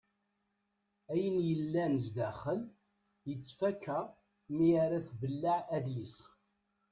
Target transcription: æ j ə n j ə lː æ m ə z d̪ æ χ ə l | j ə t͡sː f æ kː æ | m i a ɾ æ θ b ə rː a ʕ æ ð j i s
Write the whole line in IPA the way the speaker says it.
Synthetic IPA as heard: æ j ə n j ə lː æ n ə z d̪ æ χ ə l | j ə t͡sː f æ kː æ | m i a ɾ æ θ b ə lː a ʕ æ ð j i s